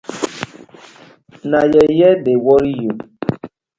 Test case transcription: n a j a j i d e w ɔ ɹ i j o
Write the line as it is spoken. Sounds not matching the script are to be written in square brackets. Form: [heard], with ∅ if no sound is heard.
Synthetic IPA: n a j [ɛ] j [ɛ] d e w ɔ [ɾ] i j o